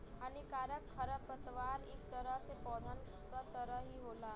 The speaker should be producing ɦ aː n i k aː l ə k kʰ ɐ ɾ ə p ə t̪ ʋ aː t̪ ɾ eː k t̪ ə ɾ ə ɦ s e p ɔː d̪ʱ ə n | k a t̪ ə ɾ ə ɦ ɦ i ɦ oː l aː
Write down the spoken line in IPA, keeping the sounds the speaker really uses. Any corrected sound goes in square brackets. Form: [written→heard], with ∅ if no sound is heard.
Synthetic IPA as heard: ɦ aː n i k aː [l→ɾ] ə k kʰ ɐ ɾ ə p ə t̪ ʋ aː [t̪→∅] ɾ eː k t̪ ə ɾ ə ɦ s e p ɔː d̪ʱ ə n | k a t̪ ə ɾ ə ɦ ɦ i ɦ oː l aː